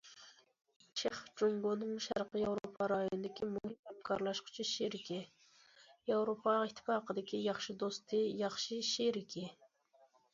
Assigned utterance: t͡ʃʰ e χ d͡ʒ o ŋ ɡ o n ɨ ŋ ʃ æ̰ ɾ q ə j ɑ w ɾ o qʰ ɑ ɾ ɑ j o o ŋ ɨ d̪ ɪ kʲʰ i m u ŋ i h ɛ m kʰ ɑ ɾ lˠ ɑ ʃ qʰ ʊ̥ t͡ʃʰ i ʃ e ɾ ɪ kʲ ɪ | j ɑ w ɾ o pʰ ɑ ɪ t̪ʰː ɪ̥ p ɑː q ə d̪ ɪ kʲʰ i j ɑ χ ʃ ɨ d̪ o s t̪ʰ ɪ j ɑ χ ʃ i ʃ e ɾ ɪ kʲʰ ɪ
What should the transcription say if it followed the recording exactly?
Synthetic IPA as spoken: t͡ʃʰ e χ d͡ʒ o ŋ ɡ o n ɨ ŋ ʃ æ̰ ɾ q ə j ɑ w ɾ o pʰ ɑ ɾ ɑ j o o n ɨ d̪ ɪ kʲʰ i m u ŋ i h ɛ m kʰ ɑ ɾ lˠ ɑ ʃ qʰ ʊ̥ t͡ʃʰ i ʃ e ɾ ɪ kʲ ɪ | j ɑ w ɾ o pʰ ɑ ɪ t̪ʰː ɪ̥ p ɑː q ə d̪ ɪ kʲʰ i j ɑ χ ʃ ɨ d̪ o s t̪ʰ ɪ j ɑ χ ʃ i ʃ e ɾ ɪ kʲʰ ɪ

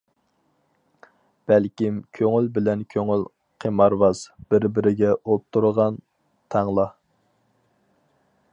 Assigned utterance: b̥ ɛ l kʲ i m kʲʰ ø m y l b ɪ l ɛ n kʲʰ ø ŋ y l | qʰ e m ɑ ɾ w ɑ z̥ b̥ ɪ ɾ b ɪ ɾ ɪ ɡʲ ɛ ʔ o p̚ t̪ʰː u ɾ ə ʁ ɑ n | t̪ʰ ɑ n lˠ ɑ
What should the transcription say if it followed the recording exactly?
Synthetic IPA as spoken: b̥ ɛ l kʲ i m kʲʰ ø ŋ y l b ɪ l ɛ n kʲʰ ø ŋ y l | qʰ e m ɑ ɾ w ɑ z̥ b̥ ɪ ɾ b ɪ ɾ ɪ ɡʲ ɛ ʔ o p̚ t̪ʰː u ɾ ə ʁ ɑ n | t̪ʰ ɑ ŋ lˠ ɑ

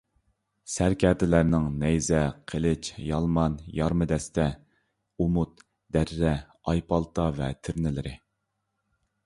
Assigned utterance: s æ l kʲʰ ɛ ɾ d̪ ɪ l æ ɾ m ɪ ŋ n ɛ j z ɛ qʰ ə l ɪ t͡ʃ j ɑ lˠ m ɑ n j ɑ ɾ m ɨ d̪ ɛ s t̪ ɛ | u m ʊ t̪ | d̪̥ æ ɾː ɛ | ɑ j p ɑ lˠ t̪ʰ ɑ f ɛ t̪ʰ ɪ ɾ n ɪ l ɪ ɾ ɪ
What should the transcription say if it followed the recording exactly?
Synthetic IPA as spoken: s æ ɾ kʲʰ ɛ ɾ d̪ ɪ l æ ɾ n ɪ ŋ n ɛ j z ɛ qʰ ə l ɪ t͡ʃ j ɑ lˠ m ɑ n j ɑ ɾ m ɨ d̪ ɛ s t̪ ɛ | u m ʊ t̪ | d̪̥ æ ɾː ɛ | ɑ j p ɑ lˠ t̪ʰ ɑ v ɛ t̪ʰ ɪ ɾ n ɪ l ɪ ɾ ɪ

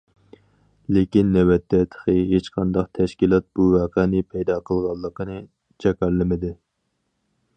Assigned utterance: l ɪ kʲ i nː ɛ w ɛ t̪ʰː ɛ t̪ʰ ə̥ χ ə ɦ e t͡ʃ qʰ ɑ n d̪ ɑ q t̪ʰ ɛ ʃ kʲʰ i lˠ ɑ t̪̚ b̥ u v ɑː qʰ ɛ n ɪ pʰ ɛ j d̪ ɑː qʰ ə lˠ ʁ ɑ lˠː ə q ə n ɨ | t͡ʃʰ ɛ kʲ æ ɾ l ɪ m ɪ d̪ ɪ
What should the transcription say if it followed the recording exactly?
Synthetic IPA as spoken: l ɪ kʲ i nː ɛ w ɛ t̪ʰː ɛ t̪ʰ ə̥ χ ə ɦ e t͡ʃ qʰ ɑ n d̪ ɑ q t̪ʰ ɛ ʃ kʲ i lˠ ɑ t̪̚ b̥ u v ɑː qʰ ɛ n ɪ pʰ ɛ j d̪ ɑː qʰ ə lˠ ʁ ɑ lˠː ə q ə n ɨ | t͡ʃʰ ɛ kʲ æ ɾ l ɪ m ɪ d̪ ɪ

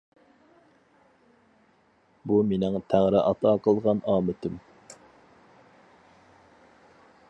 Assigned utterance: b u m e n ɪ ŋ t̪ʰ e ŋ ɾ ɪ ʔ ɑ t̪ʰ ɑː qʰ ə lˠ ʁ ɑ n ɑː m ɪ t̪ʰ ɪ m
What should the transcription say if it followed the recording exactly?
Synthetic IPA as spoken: b u m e n ɪ ŋ t̪ʰ æ ŋ ɾ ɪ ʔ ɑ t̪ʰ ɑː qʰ ə lˠ ʁ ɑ n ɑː m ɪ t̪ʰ ɪ m

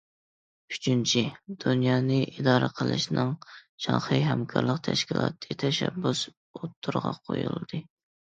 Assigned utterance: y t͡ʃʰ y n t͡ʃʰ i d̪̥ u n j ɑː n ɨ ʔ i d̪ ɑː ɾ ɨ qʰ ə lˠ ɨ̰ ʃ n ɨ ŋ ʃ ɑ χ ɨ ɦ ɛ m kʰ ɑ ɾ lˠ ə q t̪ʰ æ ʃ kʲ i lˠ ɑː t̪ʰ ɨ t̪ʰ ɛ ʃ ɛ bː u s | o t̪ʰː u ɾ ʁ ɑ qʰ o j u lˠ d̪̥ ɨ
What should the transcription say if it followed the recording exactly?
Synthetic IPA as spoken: y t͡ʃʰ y n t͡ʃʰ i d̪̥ u n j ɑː n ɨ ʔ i d̪ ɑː ɾ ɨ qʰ ə lˠ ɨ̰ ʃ n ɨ ŋ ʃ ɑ χ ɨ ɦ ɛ m kʰ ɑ ɾ lˠ ə q t̪ʰ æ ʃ kʲ i lˠ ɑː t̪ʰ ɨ t̪ʰ ɛ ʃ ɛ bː u s | o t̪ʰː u ɾ ʁ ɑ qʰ o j u lˠ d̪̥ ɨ

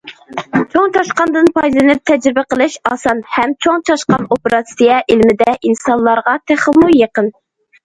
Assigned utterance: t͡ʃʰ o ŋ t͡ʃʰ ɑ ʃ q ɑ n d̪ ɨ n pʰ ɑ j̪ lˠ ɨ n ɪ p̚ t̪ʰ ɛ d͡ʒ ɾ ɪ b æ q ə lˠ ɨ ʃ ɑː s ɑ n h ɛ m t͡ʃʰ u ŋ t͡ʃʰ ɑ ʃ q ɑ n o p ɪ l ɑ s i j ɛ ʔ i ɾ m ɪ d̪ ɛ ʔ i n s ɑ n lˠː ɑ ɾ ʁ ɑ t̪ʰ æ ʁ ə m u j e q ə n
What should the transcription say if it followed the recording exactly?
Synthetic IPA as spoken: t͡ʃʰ o ŋ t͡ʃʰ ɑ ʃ q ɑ n d̪ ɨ n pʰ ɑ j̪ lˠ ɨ n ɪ p̚ t̪ʰ ɛ d͡ʒ ɾ ɪ b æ q ə lˠ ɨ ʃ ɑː s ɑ n h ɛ m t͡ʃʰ o ŋ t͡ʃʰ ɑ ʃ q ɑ n o p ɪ ɾ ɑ s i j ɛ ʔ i l m ɪ d̪ ɛ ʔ i n s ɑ n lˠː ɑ ɾ ʁ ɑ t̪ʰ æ χ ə m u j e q ə n

